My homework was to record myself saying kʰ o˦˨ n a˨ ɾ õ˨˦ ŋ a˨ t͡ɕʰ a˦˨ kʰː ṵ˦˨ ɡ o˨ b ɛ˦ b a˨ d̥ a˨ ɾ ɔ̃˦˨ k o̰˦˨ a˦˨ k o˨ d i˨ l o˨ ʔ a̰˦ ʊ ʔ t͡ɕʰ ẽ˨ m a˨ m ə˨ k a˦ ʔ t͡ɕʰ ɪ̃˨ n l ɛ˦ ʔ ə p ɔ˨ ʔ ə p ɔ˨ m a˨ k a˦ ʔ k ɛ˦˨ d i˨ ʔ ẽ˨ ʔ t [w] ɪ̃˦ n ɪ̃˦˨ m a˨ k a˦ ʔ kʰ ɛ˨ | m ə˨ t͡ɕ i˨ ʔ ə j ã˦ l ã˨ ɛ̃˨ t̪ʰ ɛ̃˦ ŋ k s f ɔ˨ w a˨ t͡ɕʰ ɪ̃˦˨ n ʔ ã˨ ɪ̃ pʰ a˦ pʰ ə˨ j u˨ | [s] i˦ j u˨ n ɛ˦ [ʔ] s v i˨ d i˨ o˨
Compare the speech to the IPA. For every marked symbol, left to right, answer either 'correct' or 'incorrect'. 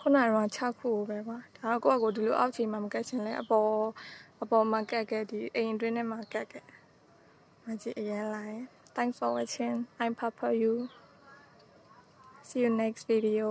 correct, correct, incorrect

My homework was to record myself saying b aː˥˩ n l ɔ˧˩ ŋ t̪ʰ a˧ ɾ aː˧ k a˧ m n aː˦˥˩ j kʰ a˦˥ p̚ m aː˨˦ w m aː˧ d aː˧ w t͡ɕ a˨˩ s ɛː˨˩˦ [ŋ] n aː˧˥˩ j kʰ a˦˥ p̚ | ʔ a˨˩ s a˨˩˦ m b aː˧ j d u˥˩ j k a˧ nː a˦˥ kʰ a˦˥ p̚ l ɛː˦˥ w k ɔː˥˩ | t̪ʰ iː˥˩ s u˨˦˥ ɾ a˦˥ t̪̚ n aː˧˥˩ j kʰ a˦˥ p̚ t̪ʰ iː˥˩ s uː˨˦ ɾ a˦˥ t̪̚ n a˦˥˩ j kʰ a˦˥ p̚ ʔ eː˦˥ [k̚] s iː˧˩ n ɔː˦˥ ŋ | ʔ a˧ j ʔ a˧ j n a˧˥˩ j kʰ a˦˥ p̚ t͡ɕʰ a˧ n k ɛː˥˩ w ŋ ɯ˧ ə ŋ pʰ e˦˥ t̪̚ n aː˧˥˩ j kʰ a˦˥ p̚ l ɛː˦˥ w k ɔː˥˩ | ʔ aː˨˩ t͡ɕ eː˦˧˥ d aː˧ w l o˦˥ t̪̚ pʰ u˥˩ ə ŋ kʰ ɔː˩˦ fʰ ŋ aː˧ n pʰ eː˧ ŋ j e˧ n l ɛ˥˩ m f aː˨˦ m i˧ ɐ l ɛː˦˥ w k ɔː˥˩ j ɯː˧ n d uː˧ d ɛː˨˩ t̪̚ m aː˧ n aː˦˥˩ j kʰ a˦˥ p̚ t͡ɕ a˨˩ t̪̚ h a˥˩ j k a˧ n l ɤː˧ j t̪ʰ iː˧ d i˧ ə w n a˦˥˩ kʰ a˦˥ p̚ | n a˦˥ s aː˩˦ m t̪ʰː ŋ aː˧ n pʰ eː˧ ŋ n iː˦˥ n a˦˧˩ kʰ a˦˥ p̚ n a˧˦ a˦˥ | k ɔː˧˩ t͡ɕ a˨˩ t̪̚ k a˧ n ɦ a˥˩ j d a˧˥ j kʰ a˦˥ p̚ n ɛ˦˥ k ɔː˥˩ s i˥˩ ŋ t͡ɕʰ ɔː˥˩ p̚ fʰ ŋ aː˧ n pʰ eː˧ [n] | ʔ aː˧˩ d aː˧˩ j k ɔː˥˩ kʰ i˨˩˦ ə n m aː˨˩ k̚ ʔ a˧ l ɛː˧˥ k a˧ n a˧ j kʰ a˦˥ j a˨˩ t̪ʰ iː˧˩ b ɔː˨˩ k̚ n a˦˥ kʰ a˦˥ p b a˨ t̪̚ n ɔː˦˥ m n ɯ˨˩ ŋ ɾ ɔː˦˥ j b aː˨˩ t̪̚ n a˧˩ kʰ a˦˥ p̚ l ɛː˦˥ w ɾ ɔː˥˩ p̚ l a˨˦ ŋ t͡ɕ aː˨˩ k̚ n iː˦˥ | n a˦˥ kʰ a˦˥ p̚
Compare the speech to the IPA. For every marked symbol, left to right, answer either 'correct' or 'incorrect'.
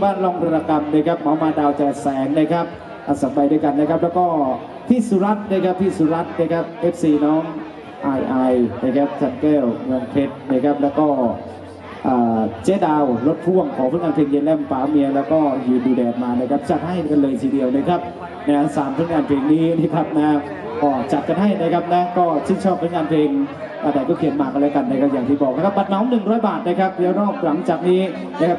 correct, incorrect, incorrect

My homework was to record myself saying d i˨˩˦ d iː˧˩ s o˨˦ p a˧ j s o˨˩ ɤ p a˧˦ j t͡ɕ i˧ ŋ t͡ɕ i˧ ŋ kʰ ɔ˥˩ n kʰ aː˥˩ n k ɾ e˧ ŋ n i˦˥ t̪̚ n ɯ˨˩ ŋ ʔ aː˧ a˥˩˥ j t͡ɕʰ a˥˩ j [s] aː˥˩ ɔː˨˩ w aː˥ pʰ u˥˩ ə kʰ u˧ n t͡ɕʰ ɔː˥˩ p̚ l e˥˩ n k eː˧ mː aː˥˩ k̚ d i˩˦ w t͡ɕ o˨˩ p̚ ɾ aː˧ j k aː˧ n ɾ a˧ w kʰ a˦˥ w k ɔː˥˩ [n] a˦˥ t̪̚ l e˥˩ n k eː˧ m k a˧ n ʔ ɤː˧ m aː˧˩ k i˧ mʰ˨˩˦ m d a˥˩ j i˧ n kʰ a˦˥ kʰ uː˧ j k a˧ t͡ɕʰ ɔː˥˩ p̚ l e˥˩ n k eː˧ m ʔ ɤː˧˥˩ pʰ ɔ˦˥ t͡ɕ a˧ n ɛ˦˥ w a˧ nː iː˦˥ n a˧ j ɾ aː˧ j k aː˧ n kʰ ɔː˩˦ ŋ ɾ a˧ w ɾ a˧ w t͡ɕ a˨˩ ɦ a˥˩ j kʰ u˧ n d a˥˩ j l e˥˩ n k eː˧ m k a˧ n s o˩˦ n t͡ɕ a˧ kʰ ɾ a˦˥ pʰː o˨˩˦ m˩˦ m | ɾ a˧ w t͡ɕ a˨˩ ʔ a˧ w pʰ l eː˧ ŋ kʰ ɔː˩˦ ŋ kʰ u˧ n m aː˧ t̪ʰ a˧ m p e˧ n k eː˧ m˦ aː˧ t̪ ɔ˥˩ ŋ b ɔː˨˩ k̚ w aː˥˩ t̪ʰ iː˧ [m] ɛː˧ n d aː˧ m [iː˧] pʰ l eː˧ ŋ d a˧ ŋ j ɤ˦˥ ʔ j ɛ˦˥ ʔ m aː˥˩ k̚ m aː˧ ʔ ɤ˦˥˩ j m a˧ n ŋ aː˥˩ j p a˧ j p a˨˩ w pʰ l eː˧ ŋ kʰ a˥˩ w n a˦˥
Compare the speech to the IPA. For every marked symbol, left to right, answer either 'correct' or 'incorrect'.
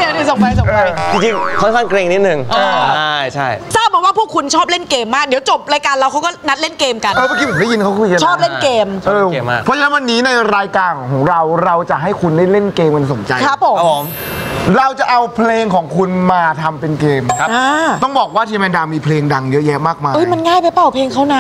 correct, correct, correct, correct

